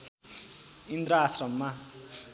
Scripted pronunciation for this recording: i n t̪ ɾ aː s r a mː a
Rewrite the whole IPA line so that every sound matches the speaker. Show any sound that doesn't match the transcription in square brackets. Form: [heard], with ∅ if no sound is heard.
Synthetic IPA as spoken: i n [d̪] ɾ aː s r [ʌ] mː a